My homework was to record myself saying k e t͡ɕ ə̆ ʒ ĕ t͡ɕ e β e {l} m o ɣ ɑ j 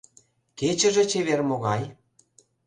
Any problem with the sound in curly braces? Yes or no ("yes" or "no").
yes